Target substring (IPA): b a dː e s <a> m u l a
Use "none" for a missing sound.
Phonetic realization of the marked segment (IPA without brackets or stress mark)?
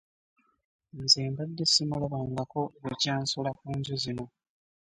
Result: i